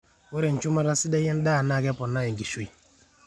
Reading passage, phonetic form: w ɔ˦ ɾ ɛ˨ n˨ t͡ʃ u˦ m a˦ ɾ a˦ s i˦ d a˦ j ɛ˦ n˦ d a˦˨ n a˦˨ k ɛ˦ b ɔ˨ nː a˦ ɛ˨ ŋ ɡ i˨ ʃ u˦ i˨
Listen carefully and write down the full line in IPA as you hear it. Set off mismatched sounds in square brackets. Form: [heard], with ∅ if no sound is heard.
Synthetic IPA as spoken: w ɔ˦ ɾ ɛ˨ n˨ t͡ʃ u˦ m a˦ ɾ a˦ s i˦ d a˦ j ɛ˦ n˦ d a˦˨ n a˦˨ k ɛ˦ [p] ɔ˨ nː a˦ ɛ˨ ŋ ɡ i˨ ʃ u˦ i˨